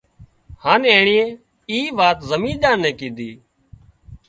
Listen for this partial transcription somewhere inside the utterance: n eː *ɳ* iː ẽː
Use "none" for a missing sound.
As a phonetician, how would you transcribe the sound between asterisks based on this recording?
ɳ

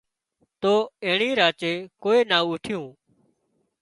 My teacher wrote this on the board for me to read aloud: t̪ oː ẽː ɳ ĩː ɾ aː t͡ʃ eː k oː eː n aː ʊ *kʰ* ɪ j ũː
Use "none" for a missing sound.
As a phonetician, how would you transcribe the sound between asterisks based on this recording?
ʈʰ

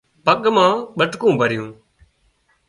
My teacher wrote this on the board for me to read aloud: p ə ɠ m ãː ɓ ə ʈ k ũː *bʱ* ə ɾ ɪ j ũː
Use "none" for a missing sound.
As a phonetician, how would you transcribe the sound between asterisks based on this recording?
bʱ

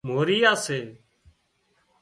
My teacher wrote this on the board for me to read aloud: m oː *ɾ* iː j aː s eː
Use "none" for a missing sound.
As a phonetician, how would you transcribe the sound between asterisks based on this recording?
ɾ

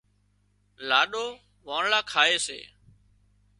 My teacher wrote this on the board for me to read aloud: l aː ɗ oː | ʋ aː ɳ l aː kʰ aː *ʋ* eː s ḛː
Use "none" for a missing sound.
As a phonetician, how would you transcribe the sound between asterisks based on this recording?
none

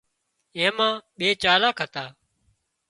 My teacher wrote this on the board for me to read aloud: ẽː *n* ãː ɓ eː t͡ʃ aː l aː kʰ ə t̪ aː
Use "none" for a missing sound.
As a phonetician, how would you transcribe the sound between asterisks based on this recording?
m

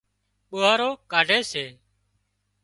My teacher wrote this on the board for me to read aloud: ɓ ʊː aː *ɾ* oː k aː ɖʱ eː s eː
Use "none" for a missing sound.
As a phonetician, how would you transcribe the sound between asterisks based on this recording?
ɾ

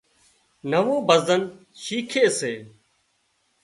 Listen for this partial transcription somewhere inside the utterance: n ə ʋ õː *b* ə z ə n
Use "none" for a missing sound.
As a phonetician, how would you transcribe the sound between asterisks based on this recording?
b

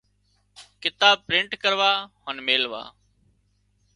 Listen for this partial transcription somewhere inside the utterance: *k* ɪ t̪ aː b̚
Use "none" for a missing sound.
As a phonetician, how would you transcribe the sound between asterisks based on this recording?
k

